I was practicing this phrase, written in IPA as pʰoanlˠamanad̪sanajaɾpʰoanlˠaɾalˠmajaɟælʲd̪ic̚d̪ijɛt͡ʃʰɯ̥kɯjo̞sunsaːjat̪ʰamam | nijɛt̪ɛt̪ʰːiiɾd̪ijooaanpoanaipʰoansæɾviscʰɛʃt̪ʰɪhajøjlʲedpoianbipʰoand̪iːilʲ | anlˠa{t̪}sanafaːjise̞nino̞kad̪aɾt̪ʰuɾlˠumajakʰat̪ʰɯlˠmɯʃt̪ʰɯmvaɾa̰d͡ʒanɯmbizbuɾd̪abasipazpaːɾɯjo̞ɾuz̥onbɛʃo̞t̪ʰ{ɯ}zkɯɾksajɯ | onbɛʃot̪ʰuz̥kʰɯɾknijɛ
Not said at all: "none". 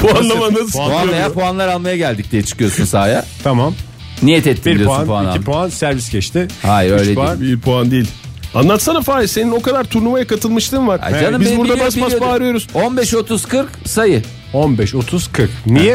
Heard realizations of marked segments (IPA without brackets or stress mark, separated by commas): t̪, u